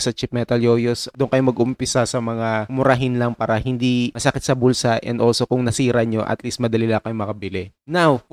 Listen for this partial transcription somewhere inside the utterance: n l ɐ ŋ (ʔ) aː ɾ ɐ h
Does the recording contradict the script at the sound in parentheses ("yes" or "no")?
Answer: yes